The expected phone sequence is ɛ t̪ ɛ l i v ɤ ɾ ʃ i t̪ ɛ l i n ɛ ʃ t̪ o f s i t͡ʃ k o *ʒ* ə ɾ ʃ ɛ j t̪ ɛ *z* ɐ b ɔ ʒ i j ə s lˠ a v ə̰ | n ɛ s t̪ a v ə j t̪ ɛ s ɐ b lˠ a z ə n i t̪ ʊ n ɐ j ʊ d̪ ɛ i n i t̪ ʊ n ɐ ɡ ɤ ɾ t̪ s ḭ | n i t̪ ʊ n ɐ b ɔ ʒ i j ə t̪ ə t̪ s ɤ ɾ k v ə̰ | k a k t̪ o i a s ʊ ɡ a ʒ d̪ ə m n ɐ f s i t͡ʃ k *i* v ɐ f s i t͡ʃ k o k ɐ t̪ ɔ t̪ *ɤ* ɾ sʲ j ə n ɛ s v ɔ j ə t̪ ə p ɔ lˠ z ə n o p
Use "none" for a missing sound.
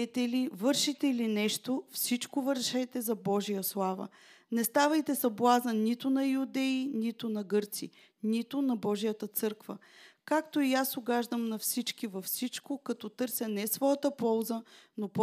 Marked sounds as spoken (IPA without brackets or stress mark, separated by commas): v, z, i, ɤ